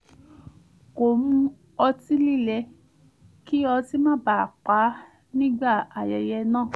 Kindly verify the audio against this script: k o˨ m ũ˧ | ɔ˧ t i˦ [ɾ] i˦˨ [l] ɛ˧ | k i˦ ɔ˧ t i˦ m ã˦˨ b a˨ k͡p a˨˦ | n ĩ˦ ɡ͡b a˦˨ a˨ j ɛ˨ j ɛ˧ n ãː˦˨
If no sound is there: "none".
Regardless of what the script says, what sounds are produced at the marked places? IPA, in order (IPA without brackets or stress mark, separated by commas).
l, l